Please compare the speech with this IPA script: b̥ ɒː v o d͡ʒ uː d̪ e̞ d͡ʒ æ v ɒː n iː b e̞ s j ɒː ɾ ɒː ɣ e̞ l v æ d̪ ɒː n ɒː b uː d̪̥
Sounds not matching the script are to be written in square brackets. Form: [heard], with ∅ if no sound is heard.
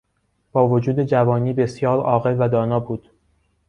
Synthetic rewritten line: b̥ ɒː v o d͡ʒ uː d̪ e̞ d͡ʒ æ v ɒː n iː b e̞ s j ɒː ɾ ɒː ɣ e̞ l v æ d̪ ɒː n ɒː b uː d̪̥